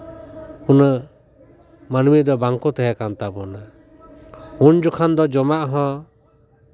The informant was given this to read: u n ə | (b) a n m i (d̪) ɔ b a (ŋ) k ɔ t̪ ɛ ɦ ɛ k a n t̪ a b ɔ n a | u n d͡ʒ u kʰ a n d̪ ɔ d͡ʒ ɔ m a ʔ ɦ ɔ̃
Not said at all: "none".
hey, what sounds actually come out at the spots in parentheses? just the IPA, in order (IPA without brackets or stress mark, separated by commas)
m, d̪, ŋ